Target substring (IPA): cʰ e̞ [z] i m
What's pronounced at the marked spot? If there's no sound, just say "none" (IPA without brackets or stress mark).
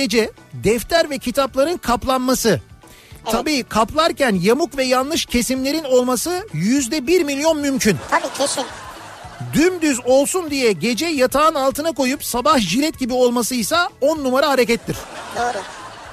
s